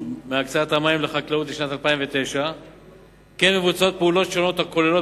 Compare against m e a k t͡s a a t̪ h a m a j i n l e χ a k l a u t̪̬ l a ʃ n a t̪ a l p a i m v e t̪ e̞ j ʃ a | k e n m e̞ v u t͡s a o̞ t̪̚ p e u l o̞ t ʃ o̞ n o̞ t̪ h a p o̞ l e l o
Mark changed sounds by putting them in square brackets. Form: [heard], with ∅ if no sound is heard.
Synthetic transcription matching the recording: m e a k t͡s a a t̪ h a m a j i [m] l e χ a k l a u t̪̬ l [i] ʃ n a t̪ a l p a i m v e t̪ e̞ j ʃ a | k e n m e̞ v u t͡s a o̞ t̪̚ p e u l o̞ t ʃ o̞ n o̞ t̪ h a [k] o̞ l e l o